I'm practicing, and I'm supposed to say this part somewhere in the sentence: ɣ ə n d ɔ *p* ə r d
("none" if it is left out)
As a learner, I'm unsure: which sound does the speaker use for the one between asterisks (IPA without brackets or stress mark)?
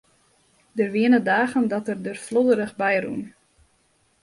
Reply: t